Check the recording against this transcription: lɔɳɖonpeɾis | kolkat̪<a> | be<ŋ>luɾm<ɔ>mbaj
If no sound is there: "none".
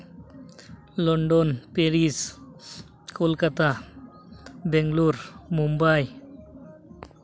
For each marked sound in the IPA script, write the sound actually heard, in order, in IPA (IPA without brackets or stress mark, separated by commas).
a, ŋ, u